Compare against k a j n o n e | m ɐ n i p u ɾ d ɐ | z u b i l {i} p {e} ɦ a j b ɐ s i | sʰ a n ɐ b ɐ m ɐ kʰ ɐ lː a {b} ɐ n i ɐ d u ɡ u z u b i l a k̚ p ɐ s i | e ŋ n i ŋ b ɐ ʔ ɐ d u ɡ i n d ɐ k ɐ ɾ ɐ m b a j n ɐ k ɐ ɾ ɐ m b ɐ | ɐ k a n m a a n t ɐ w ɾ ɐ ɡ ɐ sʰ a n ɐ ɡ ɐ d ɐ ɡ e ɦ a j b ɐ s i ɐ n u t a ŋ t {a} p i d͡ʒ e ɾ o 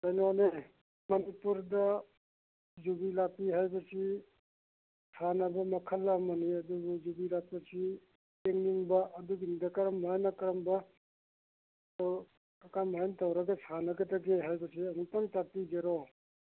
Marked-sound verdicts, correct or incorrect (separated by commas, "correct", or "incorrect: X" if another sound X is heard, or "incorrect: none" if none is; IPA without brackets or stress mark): incorrect: a, incorrect: i, incorrect: m, correct